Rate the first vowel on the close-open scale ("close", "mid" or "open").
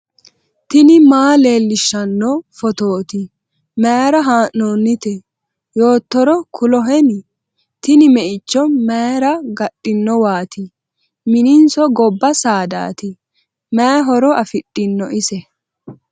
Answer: close